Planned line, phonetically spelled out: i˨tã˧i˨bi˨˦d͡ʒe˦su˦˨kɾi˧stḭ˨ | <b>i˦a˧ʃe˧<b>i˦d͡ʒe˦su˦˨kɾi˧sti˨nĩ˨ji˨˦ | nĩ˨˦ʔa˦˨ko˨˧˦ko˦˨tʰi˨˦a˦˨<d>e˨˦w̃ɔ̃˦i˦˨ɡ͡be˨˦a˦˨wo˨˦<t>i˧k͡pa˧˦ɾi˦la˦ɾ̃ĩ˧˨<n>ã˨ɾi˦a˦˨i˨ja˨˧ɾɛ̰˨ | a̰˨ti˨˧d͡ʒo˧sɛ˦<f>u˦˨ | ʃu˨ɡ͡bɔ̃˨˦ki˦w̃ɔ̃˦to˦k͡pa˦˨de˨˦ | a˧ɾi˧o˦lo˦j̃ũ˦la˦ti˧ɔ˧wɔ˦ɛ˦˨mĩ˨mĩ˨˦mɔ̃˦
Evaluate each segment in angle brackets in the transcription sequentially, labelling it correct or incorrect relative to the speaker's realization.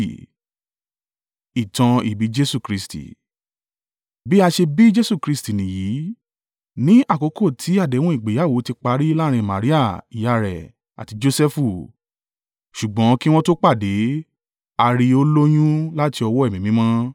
correct, correct, correct, correct, incorrect: m, correct

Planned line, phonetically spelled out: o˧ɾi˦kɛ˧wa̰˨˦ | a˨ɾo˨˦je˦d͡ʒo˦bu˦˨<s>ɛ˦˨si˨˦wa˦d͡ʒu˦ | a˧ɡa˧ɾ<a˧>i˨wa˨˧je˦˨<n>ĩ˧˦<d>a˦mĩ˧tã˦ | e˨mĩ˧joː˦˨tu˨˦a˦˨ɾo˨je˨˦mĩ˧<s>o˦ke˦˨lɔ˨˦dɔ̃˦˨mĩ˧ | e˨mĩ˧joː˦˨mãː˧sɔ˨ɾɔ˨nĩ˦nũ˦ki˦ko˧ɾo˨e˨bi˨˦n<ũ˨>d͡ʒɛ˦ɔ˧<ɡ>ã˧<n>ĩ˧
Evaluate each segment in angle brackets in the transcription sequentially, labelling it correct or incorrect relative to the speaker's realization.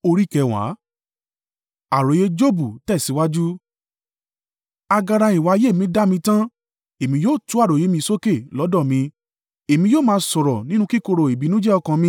incorrect: t, correct, incorrect: m, correct, correct, incorrect: ũ˦, incorrect: k, incorrect: m

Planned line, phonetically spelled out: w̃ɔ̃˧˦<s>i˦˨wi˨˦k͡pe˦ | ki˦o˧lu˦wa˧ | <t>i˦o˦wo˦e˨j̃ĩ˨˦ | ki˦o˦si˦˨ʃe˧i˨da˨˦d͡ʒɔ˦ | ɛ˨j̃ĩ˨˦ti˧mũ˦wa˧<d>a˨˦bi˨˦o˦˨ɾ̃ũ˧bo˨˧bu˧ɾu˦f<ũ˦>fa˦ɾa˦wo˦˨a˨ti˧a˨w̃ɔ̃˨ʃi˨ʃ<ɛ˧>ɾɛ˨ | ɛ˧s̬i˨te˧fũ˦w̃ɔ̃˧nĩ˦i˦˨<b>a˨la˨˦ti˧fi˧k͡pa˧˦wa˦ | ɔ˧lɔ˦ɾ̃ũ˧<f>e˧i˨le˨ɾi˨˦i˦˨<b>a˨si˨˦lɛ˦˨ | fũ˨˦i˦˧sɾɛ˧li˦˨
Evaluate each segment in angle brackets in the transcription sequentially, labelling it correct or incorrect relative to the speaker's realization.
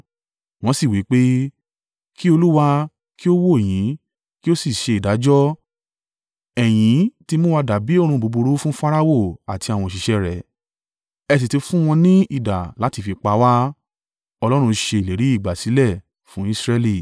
correct, incorrect: k, correct, correct, correct, incorrect: d, incorrect: ʃ, incorrect: ɡ͡b

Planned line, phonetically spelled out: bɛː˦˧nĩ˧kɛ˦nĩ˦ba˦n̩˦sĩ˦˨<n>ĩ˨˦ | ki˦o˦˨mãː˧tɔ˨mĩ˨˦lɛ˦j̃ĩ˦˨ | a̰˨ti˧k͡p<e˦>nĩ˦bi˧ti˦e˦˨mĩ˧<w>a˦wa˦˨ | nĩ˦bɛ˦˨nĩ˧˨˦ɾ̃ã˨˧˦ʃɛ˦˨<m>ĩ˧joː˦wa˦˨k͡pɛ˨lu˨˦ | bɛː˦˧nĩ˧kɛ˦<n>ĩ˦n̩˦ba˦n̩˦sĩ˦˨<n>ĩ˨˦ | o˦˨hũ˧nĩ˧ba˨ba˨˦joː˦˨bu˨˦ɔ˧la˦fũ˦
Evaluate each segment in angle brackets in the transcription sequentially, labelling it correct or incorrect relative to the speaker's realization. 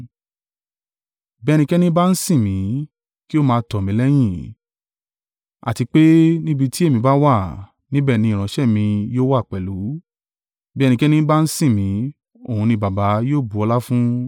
incorrect: m, correct, incorrect: b, correct, correct, incorrect: m

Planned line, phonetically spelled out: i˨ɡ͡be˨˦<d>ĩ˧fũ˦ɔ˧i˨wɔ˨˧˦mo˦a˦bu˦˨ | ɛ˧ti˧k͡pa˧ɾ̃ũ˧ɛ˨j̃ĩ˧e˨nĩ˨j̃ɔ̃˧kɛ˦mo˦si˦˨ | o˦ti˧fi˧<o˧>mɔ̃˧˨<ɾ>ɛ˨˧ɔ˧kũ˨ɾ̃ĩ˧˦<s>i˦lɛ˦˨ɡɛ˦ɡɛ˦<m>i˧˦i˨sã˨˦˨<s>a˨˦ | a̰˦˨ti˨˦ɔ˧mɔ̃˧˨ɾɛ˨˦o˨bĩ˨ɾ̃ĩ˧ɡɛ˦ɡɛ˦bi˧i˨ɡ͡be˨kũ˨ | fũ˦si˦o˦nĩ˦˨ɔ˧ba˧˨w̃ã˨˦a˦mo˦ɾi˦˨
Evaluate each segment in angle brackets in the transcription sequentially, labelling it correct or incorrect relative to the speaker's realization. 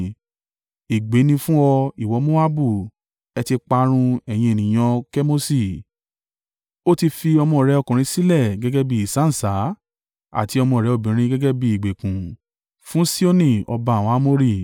incorrect: n, incorrect: ɔ˧, correct, correct, incorrect: b, correct

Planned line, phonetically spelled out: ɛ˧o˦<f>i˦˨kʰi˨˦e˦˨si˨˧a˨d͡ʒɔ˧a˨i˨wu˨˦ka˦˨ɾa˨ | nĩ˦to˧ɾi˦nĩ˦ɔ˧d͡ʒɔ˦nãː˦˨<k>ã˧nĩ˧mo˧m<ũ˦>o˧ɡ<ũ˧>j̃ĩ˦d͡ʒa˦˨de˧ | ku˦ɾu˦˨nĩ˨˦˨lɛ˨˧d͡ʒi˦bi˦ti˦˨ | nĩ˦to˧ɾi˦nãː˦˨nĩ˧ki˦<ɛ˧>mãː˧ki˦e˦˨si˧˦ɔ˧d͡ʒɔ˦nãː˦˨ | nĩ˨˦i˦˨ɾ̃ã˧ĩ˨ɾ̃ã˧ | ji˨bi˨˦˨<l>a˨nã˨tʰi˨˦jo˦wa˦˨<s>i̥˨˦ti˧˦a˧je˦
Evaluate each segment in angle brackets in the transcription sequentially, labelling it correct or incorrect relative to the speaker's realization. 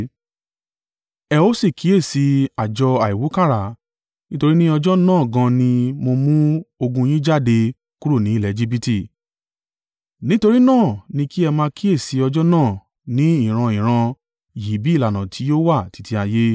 incorrect: s, incorrect: ɡ, correct, correct, correct, correct, incorrect: t

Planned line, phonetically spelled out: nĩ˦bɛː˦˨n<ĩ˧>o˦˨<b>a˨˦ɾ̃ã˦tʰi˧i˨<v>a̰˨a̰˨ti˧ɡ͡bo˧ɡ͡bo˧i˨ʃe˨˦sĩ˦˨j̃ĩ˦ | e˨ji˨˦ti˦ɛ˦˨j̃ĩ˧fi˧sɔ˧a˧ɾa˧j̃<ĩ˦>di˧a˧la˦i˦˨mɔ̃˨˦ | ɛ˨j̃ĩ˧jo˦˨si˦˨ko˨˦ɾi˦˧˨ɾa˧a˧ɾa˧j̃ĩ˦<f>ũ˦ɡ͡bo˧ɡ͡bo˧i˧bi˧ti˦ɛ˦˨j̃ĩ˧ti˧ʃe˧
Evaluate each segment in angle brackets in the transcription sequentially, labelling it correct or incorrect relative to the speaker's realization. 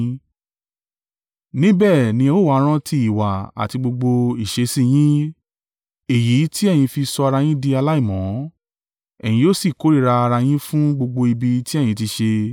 correct, incorrect: w, incorrect: w, correct, correct

